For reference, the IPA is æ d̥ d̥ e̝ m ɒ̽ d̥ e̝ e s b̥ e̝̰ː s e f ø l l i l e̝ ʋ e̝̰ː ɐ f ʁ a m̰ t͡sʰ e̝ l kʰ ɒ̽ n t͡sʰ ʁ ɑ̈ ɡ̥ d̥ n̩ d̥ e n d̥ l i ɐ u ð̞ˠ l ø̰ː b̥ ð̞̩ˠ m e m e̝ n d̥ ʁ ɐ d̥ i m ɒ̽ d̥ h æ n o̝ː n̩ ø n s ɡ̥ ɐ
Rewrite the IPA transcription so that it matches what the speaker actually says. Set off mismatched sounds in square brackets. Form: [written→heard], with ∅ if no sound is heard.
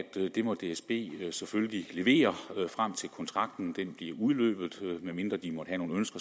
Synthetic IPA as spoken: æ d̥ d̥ e̝ m ɒ̽ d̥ e̝ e s b̥ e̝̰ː s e f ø l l i l e̝ ʋ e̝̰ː ɐ f ʁ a m̰ t͡sʰ e̝ l kʰ ɒ̽ n t͡sʰ ʁ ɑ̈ ɡ̥ d̥ n̩ d̥ e n [d̥→b̥] l i ɐ u ð̞ˠ l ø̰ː b̥ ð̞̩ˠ m e m e̝ n d̥ ʁ ɐ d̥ i m ɒ̽ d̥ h æ n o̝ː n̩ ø n s ɡ̥ ɐ